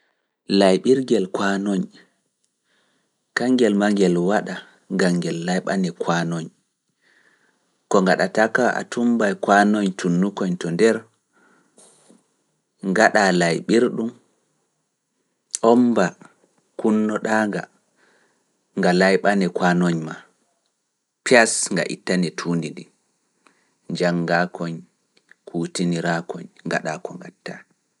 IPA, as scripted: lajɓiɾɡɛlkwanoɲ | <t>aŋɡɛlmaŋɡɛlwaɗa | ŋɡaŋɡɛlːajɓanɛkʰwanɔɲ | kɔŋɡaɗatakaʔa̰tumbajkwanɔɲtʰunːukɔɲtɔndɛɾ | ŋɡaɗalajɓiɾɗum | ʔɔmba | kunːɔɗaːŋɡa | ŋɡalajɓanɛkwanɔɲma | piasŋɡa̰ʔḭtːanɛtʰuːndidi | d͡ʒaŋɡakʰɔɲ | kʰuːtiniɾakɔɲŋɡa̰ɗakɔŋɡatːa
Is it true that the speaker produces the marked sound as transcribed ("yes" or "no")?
no